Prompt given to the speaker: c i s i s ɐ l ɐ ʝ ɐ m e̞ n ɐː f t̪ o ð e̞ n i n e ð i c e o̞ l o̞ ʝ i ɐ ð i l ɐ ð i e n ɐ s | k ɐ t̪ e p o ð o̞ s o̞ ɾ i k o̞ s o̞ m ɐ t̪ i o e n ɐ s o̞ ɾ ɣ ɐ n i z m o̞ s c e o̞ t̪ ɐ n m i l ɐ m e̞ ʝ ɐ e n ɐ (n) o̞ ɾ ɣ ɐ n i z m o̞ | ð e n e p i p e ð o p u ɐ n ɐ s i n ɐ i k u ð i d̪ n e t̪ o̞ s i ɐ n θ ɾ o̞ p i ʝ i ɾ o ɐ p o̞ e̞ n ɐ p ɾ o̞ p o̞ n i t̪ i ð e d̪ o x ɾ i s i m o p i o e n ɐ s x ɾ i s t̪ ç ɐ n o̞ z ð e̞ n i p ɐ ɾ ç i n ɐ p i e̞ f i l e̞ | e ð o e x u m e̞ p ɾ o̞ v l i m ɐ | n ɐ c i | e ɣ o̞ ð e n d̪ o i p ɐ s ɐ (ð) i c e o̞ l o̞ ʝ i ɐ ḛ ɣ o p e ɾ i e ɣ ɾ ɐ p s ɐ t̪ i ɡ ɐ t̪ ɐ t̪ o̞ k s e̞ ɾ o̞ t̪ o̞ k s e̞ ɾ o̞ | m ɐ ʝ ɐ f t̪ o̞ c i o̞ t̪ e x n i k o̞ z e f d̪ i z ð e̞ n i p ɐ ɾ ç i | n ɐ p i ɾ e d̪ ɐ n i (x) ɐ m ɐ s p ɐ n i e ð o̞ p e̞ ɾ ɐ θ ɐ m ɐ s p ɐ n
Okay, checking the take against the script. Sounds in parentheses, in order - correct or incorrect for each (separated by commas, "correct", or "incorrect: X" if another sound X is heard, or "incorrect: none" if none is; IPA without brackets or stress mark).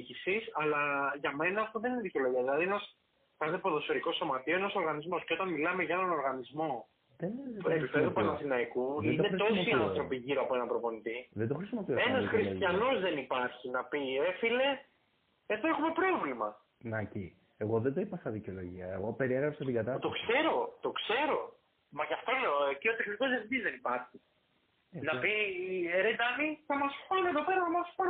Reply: correct, correct, incorrect: θ